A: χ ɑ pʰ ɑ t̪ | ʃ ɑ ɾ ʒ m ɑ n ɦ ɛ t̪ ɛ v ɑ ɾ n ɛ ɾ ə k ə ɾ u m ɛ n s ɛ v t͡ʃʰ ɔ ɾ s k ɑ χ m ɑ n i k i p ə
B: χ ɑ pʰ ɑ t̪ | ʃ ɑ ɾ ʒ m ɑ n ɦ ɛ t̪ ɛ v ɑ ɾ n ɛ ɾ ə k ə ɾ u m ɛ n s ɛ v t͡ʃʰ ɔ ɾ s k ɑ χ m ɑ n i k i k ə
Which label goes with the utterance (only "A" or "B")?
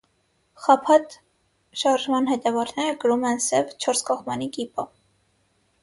A